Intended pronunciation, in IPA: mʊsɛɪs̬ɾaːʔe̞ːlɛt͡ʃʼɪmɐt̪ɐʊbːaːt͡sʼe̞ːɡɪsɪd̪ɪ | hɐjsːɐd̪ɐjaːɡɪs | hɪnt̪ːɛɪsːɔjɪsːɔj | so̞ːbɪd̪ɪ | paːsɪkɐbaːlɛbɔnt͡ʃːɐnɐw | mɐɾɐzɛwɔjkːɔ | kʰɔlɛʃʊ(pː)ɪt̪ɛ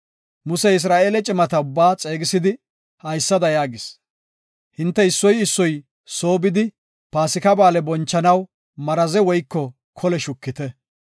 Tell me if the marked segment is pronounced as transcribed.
no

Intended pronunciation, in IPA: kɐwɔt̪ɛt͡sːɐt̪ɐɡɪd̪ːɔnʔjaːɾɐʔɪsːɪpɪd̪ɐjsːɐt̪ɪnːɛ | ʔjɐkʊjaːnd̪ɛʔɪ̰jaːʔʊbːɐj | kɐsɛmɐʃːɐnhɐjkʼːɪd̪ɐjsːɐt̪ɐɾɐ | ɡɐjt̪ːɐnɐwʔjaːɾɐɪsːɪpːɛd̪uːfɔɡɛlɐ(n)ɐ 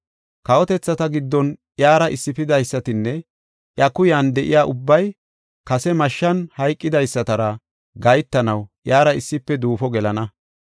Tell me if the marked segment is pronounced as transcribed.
yes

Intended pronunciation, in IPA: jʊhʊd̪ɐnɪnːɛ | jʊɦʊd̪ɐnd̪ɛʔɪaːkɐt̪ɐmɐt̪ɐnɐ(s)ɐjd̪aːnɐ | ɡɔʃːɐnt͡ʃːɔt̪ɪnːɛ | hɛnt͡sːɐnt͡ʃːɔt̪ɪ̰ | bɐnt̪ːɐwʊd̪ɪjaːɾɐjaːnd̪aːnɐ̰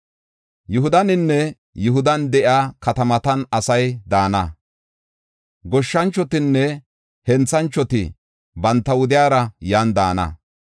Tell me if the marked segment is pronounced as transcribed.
yes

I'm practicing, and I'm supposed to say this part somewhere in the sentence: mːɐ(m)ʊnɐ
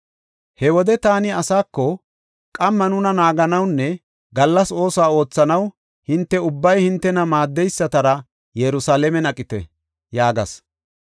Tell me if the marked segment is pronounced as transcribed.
no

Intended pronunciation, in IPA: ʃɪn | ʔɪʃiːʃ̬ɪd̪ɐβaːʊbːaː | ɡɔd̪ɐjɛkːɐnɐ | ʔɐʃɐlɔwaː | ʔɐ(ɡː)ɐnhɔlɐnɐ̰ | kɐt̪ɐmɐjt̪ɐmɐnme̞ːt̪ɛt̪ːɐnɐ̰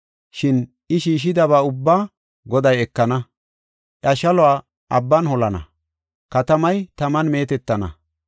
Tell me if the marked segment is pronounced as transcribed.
no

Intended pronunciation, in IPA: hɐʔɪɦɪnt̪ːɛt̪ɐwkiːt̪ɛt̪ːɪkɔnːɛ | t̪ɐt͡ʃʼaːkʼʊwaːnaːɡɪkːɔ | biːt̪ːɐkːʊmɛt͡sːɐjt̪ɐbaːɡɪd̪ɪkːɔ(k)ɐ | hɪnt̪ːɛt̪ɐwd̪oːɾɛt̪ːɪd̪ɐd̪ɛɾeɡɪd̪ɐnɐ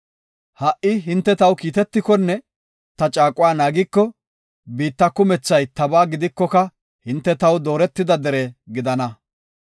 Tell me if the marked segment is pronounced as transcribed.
yes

